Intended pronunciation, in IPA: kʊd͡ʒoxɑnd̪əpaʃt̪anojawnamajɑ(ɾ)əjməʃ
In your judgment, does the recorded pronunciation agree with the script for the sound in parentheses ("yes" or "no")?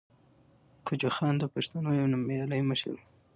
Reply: no